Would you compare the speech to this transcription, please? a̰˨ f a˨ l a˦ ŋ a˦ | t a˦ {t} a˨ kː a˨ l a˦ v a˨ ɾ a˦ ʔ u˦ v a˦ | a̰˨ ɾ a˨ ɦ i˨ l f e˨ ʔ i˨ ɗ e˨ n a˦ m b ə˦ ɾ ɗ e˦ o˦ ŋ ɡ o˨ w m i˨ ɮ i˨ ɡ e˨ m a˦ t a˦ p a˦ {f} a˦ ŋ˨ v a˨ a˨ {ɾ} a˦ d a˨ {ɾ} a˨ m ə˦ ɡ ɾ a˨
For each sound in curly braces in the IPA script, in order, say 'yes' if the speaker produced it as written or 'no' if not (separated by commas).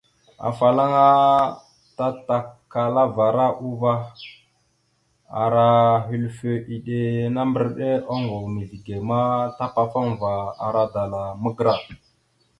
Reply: yes, yes, yes, no